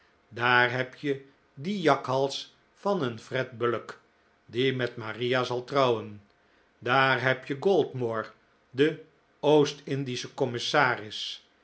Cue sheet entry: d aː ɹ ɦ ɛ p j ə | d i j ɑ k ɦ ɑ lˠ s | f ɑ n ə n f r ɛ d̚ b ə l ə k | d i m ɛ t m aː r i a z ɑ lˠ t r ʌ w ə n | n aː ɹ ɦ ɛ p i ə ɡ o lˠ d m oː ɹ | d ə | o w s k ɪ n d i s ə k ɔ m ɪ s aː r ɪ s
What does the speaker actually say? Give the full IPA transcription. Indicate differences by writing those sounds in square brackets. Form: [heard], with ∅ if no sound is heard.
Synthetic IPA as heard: d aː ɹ ɦ ɛ p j ə | d i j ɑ k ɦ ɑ lˠ s | f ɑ n ə n f r ɛ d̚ b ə l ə k | d i m ɛ t m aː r i a z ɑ lˠ t r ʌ w ə n | [d] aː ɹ ɦ ɛ p [j] ə ɡ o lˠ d m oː ɹ | d ə | o w s [t] ɪ n d i s ə k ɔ m ɪ s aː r ɪ s